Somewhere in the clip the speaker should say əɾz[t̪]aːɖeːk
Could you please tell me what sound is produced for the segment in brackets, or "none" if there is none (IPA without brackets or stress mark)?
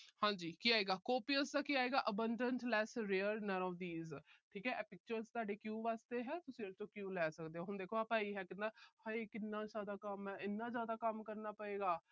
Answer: t̪